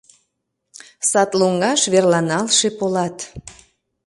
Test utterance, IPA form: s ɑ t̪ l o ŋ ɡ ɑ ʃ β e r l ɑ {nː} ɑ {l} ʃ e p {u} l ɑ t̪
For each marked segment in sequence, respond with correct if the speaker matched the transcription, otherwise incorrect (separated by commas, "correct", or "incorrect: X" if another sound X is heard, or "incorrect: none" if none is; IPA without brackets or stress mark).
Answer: incorrect: n, correct, incorrect: o